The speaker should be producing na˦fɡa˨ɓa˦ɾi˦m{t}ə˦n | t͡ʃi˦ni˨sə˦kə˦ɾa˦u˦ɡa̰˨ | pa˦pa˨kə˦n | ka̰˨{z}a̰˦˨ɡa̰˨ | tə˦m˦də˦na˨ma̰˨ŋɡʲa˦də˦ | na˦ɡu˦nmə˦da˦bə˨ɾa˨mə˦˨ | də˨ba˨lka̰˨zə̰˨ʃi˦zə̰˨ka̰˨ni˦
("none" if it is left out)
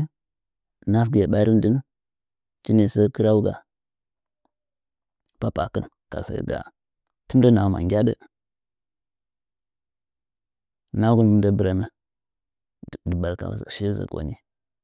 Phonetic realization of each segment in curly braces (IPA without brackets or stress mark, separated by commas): d, s